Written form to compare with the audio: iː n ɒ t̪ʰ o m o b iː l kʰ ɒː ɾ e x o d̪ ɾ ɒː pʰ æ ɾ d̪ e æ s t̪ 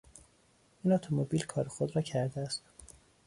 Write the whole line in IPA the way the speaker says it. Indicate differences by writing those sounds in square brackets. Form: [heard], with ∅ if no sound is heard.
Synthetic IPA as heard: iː n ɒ t̪ʰ o m o b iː l kʰ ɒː ɾ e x o d̪ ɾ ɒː [cʰ] æ ɾ d̪ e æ s t̪